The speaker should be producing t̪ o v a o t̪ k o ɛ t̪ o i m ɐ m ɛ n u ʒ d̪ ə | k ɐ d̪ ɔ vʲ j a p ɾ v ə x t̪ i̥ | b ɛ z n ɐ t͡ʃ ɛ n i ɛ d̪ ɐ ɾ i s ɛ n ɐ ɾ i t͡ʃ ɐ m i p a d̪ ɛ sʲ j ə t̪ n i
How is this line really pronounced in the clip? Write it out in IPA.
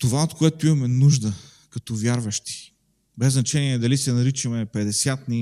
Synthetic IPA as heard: t̪ o v a o t̪ k o ɛ t̪ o i m ɐ m ɛ n u ʒ d̪ ə | k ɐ t̪ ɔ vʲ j a ɾ v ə ʃ t̪ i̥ | b ɛ z n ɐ t͡ʃ ɛ n i ɛ d̪ ɐ l i s ɛ n ɐ ɾ i t͡ʃ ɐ m ɛ p ɛ d̪ ɛ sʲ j a t̪ n i